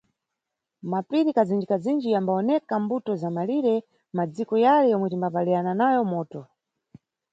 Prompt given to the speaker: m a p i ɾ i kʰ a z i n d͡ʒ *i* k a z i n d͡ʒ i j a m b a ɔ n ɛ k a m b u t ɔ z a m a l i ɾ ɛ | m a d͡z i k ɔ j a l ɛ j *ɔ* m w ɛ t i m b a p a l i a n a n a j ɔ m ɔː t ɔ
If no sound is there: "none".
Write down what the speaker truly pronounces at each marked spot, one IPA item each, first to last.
i, ɔ

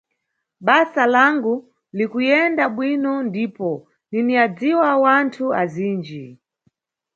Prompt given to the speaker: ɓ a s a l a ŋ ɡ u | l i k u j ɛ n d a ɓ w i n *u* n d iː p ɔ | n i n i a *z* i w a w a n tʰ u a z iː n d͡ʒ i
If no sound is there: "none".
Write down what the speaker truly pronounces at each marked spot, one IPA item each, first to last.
ɔ, d͡z

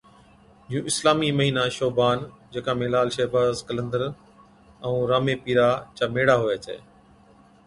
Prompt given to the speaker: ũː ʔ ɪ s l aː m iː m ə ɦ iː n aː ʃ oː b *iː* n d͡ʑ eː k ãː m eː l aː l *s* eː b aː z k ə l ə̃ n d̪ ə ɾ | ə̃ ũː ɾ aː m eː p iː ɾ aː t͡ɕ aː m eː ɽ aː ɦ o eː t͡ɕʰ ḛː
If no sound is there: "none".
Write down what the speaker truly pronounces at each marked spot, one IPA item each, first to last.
aː, ʃ

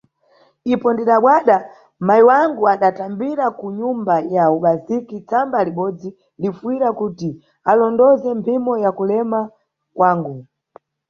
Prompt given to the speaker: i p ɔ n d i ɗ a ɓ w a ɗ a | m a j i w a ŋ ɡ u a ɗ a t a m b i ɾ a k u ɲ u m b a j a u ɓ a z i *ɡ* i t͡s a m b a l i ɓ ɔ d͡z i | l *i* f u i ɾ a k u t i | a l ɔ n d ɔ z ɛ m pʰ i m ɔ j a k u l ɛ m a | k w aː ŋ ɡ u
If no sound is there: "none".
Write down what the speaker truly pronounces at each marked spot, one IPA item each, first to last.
k, i

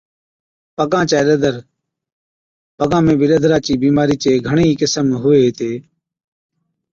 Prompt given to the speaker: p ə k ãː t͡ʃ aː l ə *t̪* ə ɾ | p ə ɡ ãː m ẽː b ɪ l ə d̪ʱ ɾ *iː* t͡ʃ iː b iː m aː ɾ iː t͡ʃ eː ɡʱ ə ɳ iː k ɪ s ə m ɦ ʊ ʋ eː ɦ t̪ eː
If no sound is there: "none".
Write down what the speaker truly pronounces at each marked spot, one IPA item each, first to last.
d̪, aː

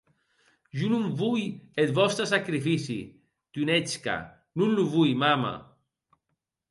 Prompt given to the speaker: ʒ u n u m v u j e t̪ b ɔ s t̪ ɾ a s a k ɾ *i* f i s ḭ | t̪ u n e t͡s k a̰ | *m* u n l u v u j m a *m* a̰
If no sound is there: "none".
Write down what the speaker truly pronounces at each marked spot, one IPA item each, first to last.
i, n, m

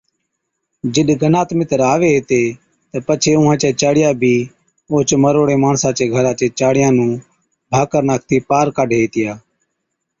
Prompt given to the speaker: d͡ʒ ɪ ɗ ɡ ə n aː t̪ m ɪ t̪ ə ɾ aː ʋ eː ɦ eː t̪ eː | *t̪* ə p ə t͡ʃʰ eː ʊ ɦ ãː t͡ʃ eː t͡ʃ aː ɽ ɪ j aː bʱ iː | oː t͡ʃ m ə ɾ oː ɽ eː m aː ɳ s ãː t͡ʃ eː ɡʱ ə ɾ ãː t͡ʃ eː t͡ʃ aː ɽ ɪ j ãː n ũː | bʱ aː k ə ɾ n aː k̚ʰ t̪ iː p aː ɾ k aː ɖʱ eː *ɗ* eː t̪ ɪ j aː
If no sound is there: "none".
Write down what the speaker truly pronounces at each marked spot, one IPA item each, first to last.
t̪, none

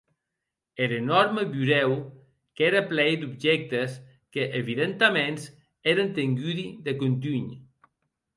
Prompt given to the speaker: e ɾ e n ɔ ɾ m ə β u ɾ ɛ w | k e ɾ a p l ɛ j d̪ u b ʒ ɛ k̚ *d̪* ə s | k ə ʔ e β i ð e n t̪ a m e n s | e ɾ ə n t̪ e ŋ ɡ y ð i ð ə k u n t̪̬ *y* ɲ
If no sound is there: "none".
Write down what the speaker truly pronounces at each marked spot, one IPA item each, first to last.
t̪, y

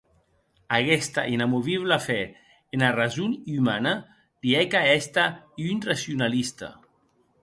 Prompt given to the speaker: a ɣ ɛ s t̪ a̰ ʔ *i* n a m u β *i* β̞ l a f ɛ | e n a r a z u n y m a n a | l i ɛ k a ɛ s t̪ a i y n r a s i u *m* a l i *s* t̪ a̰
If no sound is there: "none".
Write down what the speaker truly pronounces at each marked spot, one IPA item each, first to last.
i, i, n, s

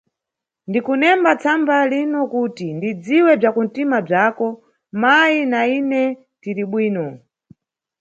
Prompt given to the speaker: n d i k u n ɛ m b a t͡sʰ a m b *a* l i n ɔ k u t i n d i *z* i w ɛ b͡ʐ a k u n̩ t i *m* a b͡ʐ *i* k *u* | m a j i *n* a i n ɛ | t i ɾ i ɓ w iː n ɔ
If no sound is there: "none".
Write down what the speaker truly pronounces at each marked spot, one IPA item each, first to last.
a, d͡z, m, a, ɔ, n

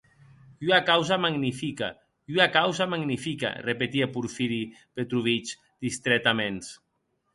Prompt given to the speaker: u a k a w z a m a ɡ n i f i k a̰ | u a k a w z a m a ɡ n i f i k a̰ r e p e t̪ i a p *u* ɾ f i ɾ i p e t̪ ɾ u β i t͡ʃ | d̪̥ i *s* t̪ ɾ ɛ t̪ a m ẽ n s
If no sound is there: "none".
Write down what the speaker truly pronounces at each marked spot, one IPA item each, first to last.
u, s

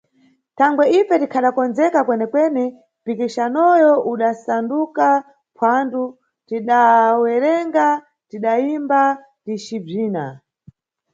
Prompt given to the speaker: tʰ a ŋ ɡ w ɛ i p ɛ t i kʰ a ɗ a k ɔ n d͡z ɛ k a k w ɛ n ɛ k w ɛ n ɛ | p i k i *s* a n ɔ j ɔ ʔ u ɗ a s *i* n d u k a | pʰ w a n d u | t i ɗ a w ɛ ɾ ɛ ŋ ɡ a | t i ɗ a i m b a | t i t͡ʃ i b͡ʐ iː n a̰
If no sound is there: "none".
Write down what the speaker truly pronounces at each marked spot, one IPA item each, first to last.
ʃ, a

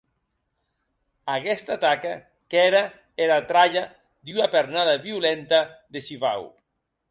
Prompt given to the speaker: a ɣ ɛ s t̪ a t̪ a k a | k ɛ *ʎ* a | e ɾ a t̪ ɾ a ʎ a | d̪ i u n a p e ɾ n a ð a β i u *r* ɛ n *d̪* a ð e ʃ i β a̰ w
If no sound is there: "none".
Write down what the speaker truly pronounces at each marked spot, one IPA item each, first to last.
ɾ, l, t̪

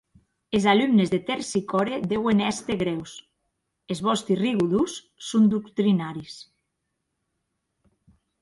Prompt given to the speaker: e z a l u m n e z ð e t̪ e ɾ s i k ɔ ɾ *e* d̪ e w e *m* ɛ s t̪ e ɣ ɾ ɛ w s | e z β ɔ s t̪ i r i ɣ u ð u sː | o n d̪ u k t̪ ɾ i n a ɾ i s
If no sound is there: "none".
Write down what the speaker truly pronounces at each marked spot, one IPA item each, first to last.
e, n

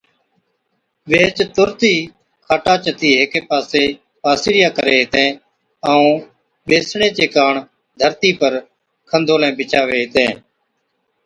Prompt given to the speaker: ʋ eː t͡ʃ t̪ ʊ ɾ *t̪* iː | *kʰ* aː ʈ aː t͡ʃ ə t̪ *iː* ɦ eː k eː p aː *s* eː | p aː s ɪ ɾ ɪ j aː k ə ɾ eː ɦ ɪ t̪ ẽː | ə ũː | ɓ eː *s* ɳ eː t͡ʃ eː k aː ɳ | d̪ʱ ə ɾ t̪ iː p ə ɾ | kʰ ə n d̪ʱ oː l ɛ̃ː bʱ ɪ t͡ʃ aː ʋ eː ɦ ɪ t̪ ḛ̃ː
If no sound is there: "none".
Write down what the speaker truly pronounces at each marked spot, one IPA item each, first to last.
t̪, kʰ, iː, s, s

